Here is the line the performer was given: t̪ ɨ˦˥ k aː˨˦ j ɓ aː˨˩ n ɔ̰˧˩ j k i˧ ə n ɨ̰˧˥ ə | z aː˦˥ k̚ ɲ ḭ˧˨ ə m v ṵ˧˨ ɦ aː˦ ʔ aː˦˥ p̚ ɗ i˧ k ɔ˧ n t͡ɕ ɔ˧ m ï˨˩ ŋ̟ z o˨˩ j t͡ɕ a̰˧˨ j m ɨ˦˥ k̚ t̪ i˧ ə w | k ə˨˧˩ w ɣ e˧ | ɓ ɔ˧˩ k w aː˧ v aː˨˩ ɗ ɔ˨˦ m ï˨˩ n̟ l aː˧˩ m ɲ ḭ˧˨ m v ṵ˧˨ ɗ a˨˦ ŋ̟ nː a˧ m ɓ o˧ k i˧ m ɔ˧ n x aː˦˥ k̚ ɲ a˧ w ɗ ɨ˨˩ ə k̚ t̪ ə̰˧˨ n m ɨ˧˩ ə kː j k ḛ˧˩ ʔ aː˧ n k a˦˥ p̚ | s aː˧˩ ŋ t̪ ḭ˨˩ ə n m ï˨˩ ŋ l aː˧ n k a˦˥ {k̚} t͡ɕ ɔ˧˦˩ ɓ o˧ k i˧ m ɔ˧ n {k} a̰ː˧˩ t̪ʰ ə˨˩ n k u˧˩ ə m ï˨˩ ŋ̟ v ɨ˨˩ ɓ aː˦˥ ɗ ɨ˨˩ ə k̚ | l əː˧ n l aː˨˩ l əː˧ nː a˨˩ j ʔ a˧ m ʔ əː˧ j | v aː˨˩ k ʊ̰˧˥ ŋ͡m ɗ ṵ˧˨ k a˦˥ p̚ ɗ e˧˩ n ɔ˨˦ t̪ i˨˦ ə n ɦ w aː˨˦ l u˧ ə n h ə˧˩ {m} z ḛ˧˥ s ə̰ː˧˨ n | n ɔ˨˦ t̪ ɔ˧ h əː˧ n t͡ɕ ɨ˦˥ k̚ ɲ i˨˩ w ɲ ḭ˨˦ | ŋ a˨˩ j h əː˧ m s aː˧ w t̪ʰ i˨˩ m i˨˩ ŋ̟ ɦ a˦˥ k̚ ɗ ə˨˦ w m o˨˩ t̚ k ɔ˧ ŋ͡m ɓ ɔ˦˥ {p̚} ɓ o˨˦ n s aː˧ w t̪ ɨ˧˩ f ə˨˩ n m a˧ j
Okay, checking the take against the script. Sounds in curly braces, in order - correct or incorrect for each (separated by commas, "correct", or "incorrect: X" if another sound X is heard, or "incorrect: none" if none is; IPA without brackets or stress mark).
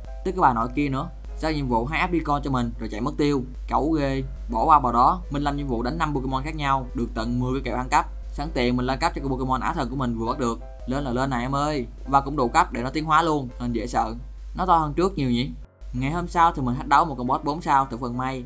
incorrect: p̚, incorrect: ʔ, incorrect: n, incorrect: t̚